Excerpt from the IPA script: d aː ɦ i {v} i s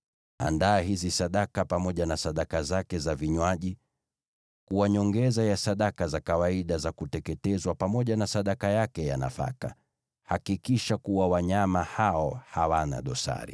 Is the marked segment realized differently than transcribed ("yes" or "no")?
yes